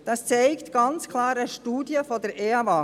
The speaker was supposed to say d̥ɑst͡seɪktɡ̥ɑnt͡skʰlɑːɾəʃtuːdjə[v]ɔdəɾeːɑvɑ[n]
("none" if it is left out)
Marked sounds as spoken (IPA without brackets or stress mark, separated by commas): f, none